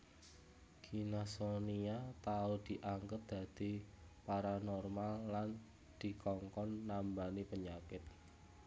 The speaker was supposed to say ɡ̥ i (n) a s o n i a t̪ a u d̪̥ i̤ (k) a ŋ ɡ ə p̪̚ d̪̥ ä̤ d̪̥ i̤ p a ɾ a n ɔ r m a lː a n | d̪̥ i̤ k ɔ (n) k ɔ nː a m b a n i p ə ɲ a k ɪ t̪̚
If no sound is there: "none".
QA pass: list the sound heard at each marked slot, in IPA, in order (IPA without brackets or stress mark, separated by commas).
n, ʔ, ŋ